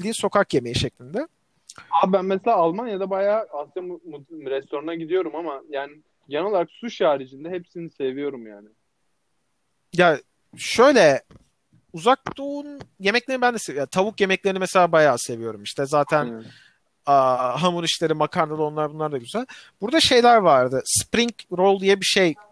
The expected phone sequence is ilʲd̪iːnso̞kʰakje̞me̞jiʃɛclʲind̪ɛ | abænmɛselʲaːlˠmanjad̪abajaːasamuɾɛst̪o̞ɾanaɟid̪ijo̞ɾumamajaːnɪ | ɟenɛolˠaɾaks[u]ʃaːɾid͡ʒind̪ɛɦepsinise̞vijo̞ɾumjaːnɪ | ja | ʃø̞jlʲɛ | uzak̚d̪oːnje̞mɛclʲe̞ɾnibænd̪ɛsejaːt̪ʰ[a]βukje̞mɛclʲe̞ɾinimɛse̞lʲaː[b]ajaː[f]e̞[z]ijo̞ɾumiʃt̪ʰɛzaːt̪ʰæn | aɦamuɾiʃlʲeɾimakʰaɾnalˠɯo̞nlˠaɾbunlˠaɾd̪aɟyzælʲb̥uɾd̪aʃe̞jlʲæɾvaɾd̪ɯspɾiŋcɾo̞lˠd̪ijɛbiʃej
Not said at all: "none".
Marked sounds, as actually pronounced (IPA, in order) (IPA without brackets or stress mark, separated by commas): u, a, b, s, v